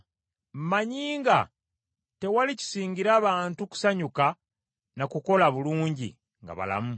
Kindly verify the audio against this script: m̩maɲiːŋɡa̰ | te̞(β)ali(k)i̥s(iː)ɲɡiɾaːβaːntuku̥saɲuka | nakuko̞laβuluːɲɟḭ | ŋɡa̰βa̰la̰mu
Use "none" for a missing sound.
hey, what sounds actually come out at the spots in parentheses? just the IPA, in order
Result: w, c, iː

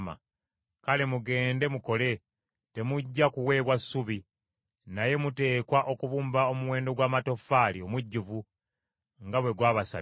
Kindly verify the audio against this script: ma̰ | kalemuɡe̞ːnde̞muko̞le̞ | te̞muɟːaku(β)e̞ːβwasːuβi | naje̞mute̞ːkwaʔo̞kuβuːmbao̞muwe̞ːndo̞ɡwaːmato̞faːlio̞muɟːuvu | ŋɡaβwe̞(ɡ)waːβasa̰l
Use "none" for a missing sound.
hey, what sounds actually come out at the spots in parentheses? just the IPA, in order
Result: w, ɡ

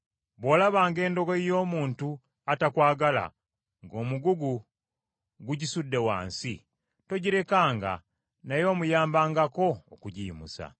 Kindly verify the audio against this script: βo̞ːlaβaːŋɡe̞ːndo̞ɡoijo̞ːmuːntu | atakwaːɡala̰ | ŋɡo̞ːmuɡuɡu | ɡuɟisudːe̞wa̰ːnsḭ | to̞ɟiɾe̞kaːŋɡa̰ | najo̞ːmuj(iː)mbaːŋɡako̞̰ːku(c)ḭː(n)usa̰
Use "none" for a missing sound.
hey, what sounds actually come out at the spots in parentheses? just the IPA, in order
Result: aː, ɟ, m

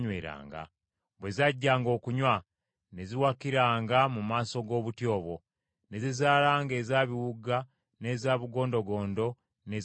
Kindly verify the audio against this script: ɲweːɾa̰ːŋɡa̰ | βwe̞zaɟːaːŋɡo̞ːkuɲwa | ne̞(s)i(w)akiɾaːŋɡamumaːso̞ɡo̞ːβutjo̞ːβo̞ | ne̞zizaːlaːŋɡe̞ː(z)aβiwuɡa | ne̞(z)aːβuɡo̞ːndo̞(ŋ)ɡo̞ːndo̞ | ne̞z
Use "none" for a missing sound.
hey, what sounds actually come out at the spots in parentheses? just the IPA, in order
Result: z, w, z, z, none

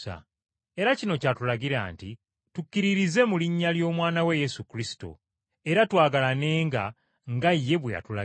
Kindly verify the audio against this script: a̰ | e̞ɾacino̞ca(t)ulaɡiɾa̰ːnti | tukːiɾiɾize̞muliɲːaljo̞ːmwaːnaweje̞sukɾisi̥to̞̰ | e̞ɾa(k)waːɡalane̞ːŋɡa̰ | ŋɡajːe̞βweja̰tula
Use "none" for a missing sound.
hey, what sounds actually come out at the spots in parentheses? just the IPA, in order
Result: t, t

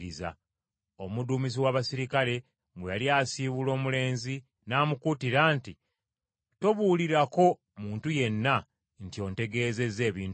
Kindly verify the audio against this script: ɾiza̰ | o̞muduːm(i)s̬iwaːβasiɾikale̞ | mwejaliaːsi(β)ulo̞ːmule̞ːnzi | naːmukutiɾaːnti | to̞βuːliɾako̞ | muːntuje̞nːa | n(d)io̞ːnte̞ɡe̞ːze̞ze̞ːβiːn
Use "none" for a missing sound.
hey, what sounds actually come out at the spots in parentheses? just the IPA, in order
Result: i, β, t

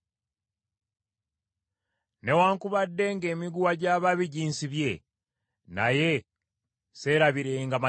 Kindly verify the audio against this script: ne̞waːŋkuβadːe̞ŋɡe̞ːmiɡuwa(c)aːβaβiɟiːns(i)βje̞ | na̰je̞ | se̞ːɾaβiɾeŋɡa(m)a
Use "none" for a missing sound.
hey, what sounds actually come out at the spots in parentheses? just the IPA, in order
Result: ɟ, i, m

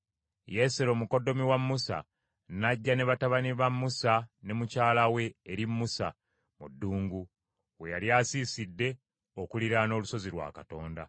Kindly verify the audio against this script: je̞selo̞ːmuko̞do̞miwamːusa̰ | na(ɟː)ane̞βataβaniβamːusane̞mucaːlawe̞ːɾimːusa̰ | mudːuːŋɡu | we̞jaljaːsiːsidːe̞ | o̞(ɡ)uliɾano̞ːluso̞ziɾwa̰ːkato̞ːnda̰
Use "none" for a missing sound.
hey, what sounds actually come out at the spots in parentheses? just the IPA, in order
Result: ɟː, k

